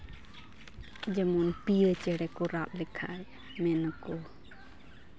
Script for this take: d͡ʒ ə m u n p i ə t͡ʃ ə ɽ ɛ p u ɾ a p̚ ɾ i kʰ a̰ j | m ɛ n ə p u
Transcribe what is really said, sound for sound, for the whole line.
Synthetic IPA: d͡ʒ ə m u n p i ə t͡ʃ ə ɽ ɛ k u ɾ a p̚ l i kʰ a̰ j | m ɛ n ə k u